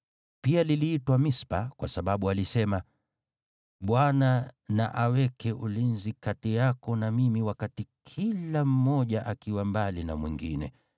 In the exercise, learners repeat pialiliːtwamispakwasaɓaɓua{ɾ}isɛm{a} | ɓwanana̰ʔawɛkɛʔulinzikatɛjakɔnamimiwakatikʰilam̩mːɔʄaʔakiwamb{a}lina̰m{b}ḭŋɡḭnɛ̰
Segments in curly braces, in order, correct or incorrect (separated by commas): incorrect, correct, correct, incorrect